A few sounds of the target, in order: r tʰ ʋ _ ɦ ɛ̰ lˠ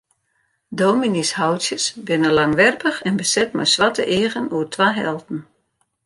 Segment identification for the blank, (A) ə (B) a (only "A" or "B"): B